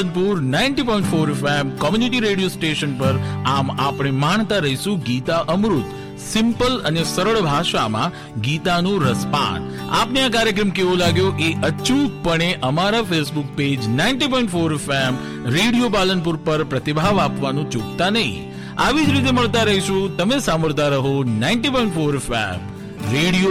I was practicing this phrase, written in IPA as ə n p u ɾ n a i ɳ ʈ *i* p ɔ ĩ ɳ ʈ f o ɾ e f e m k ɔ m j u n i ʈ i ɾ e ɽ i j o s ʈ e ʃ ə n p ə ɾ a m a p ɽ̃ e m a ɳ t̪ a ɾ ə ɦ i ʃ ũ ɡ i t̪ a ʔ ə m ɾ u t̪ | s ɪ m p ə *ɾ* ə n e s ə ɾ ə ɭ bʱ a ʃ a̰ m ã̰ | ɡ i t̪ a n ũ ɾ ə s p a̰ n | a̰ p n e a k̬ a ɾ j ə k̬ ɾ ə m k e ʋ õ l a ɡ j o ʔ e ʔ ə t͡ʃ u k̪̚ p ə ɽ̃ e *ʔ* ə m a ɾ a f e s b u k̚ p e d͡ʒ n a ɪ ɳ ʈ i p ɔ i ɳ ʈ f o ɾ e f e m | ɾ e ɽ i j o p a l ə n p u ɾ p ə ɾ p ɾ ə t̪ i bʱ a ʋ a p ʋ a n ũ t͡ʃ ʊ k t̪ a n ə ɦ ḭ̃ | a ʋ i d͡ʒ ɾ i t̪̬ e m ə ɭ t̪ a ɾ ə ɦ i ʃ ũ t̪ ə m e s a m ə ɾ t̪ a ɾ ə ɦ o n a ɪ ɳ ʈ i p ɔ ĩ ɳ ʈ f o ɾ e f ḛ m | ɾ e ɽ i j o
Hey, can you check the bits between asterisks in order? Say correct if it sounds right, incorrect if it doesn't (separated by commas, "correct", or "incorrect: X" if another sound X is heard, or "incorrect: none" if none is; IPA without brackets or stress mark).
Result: correct, incorrect: l, correct